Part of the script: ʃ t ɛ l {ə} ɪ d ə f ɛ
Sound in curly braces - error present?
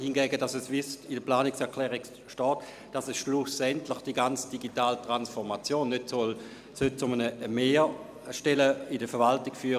no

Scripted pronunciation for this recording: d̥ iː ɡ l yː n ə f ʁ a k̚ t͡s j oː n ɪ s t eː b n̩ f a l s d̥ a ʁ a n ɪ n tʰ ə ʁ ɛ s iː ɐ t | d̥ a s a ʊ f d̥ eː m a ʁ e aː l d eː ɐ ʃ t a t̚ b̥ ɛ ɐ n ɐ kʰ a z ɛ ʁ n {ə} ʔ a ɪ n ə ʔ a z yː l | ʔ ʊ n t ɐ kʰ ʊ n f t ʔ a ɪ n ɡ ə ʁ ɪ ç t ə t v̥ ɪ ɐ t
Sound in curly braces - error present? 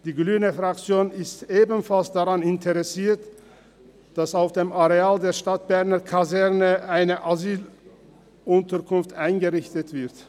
no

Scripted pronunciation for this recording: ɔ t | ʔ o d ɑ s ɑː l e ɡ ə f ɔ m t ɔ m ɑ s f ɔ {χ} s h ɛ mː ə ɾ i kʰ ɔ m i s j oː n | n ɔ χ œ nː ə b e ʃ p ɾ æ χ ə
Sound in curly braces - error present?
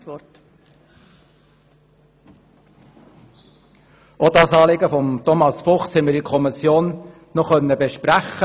no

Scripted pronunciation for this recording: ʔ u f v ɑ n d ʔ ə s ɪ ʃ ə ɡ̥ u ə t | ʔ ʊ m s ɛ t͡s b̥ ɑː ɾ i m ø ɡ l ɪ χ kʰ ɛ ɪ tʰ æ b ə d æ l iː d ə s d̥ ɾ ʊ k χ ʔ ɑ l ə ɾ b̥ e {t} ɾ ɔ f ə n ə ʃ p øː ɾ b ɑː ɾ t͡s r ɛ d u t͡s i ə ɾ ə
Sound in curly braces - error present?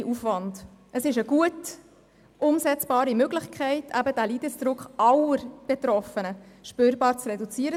no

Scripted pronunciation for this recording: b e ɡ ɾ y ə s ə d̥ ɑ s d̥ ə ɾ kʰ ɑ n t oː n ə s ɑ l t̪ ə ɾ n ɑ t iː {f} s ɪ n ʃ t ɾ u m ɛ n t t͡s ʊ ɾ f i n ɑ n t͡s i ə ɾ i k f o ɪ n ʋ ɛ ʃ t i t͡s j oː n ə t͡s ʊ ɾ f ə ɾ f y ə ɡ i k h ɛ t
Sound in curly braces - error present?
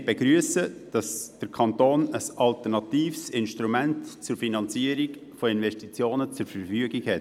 no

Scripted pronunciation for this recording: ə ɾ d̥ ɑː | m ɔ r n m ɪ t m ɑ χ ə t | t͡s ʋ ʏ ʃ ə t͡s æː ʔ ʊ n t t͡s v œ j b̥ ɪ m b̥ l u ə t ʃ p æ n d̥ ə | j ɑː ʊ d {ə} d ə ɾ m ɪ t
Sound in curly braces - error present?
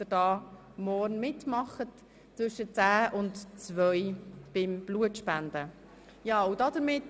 yes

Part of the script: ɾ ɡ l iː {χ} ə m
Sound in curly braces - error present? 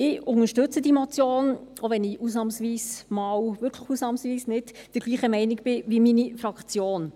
no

